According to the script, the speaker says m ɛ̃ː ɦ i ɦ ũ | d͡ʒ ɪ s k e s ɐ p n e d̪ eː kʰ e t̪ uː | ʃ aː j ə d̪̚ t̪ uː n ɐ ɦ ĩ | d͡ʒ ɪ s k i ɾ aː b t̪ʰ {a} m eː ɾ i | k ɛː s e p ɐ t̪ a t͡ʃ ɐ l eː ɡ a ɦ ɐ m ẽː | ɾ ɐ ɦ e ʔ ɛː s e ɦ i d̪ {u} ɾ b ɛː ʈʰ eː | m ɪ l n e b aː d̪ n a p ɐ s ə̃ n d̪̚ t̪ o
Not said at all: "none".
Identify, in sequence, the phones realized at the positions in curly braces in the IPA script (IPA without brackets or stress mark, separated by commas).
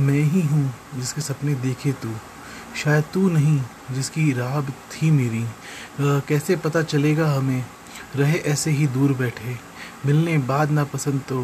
i, uː